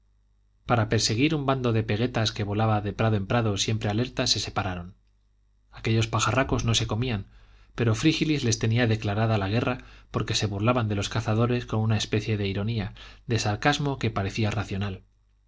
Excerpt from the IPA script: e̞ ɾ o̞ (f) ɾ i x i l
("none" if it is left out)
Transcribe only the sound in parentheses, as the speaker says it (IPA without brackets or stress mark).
f